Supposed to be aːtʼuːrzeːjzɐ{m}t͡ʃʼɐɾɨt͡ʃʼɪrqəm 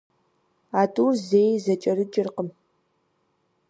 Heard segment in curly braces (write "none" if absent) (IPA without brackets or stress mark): none